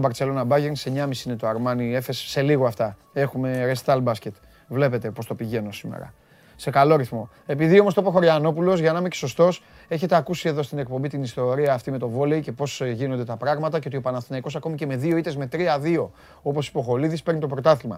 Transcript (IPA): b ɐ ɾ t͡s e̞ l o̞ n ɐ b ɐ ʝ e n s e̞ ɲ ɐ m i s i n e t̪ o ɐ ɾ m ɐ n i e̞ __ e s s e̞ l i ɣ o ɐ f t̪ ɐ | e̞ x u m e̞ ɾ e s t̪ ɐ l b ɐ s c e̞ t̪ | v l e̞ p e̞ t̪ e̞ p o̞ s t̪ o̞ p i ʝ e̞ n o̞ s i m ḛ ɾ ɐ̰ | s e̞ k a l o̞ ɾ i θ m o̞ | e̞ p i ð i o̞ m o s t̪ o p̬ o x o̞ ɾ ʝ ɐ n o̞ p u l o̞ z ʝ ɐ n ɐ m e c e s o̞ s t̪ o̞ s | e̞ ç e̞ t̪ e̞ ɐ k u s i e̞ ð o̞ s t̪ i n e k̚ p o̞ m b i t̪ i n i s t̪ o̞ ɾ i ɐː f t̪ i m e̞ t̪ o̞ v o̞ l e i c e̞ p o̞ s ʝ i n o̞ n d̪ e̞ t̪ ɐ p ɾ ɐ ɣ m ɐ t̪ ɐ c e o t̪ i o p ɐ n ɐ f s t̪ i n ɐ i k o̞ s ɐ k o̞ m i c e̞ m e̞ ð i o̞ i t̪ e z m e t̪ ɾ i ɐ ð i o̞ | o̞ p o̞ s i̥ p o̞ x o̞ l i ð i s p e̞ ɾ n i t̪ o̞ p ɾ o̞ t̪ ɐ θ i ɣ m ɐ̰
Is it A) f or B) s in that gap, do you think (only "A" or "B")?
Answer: A